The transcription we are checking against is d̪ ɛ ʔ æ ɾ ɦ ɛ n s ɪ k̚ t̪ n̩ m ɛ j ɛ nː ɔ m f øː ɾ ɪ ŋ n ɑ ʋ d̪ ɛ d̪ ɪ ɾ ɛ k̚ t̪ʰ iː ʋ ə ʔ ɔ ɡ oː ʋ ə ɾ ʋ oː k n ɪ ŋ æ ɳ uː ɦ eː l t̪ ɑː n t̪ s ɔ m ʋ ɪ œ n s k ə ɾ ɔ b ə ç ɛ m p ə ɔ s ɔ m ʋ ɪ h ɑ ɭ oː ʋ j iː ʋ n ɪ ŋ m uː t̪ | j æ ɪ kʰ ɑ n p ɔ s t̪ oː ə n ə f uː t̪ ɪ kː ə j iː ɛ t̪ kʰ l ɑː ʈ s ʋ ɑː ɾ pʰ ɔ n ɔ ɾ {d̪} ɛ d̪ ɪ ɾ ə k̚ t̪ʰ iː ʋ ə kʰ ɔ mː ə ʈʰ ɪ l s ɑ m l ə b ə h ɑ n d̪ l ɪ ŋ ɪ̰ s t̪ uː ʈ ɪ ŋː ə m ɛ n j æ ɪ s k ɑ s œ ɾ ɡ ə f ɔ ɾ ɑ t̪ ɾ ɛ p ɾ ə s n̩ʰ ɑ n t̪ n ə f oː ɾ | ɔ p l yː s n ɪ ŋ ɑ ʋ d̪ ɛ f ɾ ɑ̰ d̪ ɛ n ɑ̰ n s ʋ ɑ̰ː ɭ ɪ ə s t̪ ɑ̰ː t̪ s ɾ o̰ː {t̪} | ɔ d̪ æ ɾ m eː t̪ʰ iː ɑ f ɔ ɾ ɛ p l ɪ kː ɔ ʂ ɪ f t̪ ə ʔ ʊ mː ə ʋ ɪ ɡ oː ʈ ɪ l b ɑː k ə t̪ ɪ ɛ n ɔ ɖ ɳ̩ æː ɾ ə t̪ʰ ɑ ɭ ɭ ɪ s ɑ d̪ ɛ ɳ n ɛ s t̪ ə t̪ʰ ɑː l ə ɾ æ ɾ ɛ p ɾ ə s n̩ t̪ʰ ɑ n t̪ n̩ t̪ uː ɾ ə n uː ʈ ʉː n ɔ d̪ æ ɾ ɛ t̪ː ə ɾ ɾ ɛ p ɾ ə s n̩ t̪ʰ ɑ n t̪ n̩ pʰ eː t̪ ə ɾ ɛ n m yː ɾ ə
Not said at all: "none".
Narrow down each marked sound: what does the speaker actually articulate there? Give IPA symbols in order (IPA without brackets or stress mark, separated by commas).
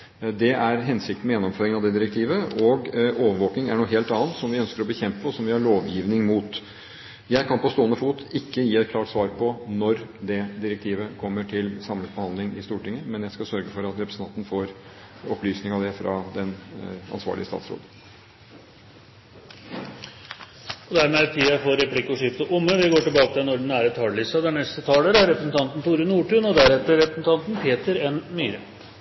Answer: d̪, d̪